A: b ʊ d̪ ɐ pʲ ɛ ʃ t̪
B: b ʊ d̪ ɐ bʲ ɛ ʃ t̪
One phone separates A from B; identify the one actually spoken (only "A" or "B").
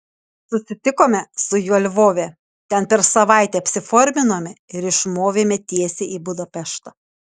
A